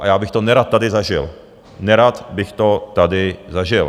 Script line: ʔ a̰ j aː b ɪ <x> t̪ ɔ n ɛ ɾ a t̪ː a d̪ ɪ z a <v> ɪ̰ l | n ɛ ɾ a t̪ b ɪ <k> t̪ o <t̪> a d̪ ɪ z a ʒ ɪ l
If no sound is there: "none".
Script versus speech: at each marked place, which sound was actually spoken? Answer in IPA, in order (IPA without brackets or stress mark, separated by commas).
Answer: x, ʒ, x, t̪